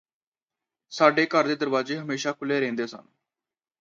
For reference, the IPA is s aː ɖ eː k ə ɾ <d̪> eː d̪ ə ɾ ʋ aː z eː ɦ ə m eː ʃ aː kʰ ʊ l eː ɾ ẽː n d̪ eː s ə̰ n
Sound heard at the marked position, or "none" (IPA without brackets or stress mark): d̪